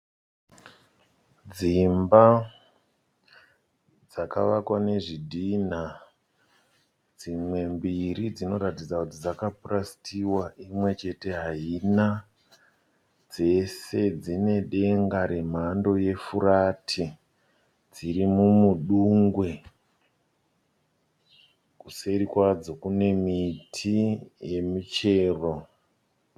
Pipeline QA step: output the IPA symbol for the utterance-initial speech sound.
d͡z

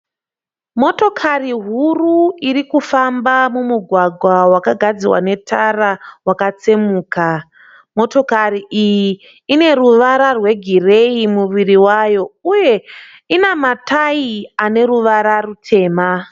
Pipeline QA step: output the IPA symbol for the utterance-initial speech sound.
m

